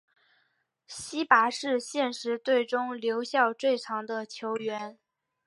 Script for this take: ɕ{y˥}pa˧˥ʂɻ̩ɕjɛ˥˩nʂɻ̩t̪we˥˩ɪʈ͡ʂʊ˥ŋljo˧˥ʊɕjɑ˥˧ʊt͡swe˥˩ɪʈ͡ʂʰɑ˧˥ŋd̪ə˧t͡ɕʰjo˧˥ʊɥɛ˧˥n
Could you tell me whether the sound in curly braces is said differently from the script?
yes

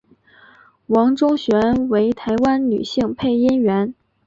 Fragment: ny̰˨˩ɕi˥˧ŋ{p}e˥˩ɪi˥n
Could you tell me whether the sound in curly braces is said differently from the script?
yes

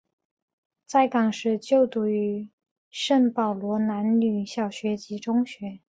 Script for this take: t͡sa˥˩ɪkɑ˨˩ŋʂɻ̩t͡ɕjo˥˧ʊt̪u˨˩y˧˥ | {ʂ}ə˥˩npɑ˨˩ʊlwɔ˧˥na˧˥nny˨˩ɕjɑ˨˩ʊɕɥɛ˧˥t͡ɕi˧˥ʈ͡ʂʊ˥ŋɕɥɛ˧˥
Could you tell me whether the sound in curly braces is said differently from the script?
no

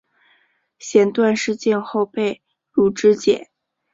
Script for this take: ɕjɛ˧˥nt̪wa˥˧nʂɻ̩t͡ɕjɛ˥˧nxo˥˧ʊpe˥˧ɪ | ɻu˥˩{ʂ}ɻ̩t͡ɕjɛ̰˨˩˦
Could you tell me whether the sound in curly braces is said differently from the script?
yes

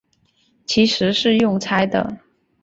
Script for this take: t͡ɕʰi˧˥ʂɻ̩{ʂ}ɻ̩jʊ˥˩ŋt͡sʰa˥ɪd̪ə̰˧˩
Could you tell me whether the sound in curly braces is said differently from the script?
no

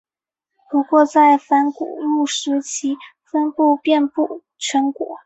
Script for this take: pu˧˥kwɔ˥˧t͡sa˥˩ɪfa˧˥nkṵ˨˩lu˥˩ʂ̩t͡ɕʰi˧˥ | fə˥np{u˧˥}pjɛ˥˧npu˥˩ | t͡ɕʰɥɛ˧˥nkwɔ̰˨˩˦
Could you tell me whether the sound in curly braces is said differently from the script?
yes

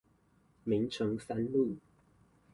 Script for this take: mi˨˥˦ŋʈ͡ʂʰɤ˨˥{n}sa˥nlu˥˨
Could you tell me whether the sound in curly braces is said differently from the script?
yes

